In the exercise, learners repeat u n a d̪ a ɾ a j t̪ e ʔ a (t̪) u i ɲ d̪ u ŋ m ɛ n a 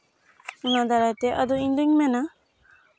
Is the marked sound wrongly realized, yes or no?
yes